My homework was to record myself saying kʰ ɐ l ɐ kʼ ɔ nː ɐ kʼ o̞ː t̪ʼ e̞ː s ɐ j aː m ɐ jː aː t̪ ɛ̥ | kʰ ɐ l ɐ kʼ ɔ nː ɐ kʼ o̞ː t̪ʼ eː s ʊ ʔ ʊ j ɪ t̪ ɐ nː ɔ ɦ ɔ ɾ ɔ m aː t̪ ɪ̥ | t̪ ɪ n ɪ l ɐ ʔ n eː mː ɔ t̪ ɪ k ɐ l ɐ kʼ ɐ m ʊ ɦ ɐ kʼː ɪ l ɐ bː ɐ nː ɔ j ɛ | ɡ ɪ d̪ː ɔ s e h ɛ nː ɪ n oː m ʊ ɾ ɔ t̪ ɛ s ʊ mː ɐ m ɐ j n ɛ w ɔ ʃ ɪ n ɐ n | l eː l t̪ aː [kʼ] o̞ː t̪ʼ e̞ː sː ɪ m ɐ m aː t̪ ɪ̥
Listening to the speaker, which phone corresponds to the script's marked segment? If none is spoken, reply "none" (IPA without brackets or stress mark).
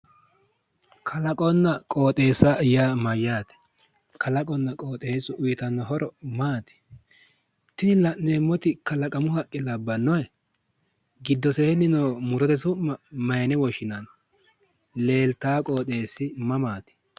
kʼ